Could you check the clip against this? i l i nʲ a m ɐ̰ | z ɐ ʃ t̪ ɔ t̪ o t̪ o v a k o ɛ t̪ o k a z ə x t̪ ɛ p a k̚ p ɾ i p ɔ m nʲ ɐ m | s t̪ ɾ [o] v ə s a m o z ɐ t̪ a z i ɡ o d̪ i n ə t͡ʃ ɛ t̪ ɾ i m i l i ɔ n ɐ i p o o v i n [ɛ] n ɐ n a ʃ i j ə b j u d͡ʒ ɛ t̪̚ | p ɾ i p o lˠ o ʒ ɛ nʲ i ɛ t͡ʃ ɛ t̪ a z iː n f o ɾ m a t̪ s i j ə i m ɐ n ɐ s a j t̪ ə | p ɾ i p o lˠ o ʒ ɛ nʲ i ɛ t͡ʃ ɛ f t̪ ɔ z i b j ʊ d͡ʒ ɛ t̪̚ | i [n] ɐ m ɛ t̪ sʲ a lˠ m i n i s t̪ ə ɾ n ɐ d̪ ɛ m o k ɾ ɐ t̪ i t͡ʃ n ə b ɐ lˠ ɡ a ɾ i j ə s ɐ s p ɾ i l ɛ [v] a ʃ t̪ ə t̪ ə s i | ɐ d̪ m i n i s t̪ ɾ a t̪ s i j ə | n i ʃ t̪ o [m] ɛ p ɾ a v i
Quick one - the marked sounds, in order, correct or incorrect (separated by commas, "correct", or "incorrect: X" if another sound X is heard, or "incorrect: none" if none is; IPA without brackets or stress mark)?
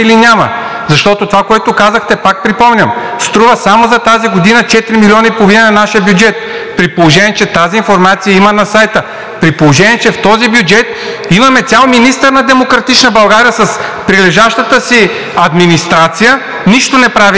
incorrect: u, correct, incorrect: m, incorrect: ʒ, incorrect: n